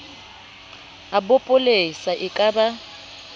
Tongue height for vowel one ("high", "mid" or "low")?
low